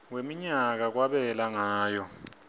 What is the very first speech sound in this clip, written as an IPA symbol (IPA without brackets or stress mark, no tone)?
w